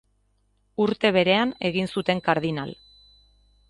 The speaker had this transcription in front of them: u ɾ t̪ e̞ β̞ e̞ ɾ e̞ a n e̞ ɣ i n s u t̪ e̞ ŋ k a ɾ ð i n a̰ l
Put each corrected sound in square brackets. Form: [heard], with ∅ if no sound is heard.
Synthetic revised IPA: u ɾ t̪ e̞ β̞ e̞ ɾ e̞ a n e̞ ɣ i n s u t̪ e̞ ŋ k a ɾ ð i n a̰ l